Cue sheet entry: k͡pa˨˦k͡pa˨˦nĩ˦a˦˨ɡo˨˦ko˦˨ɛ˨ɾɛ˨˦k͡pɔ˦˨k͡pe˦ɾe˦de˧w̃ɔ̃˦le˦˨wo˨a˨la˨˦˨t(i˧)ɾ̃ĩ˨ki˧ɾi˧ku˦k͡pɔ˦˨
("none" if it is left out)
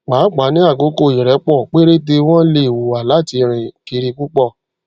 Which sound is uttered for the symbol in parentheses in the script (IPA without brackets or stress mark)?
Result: i˧